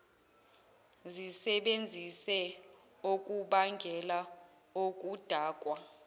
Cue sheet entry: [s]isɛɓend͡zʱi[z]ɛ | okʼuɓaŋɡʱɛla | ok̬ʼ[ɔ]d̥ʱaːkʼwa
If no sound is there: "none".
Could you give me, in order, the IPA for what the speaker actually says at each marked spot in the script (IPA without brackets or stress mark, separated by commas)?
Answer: z, s, u